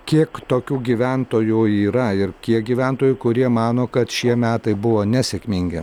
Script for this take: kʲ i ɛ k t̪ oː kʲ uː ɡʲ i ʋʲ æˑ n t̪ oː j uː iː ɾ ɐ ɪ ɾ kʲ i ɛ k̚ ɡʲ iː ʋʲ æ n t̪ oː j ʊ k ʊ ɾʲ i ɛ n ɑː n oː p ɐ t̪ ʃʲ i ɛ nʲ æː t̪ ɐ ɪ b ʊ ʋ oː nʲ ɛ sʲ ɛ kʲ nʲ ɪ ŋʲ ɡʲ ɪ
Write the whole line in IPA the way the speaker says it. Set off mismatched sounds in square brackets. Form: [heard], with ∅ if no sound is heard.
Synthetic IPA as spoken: kʲ i ɛ k t̪ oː kʲ uː ɡʲ i ʋʲ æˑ n t̪ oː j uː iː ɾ ɐ ɪ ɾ kʲ i ɛ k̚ ɡʲ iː ʋʲ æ n t̪ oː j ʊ k ʊ ɾʲ i ɛ [m] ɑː n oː [k] ɐ t̪ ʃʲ i ɛ [mʲ] æː t̪ ɐ ɪ b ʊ ʋ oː nʲ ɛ sʲ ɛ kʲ [mʲ] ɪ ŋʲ ɡʲ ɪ